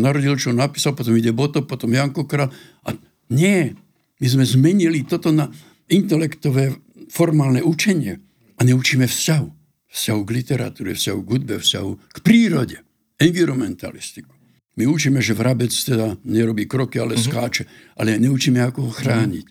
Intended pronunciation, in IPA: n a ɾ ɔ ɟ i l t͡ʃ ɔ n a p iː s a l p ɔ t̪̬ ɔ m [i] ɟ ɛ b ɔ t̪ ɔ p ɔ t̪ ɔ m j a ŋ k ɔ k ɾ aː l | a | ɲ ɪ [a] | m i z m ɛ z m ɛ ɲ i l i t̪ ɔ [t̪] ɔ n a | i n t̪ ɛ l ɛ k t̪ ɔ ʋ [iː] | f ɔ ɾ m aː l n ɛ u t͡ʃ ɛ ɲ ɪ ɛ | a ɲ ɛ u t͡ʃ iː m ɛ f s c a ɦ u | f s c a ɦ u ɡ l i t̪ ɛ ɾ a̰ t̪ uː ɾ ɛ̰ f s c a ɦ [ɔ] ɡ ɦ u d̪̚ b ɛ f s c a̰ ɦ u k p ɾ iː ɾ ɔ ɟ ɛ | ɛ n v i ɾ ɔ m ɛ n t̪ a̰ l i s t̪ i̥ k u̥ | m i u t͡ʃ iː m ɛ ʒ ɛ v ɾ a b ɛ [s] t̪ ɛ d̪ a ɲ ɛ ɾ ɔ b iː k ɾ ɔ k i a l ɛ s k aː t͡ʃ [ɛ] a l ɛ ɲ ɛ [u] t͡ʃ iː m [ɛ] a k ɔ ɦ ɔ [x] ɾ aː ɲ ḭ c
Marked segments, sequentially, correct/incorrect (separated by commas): correct, incorrect, correct, incorrect, incorrect, incorrect, correct, correct, correct, correct